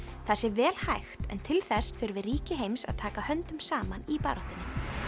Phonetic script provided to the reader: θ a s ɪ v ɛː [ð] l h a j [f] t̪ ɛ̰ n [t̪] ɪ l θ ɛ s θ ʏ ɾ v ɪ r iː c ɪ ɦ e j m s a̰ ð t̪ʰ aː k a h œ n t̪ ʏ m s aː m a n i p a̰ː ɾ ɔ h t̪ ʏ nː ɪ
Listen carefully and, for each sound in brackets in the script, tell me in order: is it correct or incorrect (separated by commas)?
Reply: incorrect, incorrect, incorrect